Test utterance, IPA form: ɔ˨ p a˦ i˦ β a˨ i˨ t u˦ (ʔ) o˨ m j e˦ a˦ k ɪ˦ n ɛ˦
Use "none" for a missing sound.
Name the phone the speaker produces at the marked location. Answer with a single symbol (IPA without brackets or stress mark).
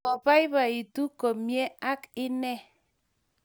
k